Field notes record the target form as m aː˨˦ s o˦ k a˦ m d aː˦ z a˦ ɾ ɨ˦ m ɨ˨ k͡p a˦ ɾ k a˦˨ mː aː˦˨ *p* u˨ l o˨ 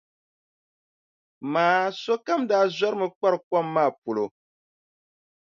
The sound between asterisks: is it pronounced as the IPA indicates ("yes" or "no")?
yes